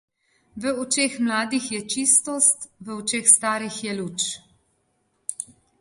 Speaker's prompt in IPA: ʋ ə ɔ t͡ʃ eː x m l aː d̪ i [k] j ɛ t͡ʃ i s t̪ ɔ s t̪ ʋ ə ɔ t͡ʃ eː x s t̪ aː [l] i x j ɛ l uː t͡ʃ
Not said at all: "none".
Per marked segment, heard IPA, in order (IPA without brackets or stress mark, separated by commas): x, ɾ